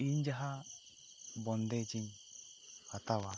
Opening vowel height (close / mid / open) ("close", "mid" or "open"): close